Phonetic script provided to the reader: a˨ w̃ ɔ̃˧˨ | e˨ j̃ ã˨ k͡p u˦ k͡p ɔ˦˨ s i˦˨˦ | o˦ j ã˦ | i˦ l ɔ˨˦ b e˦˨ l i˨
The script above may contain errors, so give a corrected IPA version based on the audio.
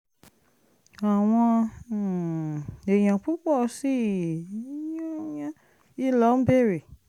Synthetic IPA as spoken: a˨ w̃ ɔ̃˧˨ | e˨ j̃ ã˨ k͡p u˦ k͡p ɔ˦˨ s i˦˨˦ | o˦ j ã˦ | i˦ l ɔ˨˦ b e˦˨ ɾ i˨